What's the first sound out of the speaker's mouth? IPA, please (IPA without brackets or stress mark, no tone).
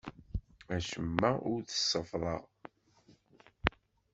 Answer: æ